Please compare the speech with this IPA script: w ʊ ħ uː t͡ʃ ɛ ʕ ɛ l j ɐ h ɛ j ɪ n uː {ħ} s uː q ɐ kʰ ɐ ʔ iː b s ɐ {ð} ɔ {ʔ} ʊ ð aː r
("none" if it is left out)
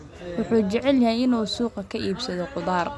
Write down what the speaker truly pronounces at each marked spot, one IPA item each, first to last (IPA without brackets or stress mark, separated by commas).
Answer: none, ð, q